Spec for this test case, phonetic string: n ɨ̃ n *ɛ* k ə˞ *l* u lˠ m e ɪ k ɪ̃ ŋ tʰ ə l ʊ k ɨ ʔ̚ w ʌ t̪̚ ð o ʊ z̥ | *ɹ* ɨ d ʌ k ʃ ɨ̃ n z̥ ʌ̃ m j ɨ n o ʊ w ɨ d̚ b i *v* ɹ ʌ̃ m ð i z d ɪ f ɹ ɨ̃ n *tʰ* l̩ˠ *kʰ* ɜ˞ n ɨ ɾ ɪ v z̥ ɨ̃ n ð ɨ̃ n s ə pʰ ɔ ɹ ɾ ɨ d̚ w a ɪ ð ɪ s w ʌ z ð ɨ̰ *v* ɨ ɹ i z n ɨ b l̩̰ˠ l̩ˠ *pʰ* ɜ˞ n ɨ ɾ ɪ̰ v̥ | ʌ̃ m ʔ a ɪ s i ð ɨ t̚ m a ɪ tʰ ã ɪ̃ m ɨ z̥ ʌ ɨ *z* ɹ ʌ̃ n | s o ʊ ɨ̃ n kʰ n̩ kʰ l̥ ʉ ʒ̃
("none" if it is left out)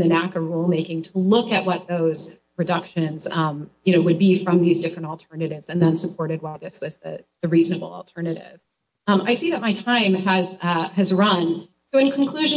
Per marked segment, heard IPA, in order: æ, ɹ, ɹ, f, t, tʰ, ð, tʰ, z

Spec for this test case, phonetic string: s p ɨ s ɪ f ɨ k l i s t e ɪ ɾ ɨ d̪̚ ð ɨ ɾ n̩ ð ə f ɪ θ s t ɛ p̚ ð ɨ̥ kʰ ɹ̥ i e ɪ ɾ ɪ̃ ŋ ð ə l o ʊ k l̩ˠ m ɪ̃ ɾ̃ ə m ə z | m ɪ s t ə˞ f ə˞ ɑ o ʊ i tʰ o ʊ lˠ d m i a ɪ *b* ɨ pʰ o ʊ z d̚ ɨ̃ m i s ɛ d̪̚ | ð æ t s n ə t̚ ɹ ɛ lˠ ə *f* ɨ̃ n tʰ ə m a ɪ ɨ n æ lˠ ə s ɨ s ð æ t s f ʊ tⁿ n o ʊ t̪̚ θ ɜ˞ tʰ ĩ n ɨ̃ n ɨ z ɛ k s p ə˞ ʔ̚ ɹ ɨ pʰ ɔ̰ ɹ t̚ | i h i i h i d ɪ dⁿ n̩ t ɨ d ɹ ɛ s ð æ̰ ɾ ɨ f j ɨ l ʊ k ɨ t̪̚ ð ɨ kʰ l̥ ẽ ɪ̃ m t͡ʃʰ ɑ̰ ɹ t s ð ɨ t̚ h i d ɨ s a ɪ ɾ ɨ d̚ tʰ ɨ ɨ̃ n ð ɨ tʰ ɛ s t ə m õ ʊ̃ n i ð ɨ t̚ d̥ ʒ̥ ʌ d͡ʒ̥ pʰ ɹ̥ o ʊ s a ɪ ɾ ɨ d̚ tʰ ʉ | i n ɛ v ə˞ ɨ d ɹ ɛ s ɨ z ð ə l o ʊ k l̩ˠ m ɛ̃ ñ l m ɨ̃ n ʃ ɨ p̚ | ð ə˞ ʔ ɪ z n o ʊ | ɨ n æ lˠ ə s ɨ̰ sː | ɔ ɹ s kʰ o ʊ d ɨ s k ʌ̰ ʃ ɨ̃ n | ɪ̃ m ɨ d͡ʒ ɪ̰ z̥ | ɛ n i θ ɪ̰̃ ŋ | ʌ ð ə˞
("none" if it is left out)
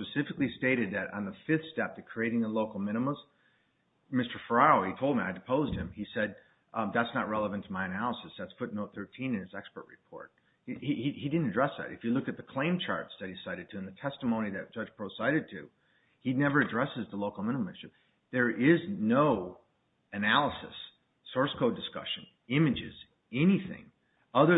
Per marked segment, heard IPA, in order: d, v

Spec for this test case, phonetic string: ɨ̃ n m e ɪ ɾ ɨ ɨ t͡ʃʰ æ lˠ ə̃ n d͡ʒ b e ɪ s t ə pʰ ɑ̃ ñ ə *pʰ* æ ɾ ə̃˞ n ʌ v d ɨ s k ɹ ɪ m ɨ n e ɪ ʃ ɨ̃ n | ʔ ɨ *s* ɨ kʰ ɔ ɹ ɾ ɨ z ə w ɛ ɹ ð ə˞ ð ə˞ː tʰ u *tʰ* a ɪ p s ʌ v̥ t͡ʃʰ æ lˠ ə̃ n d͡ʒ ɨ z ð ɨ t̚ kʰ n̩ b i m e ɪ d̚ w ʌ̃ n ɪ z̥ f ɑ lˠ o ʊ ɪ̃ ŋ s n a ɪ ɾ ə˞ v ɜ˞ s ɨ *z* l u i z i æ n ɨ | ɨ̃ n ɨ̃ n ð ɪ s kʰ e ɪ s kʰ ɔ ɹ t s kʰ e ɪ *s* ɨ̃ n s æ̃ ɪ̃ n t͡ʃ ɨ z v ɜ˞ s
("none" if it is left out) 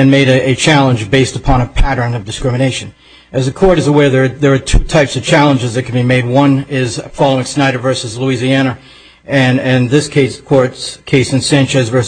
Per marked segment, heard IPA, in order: pʰ, z, tʰ, z, s

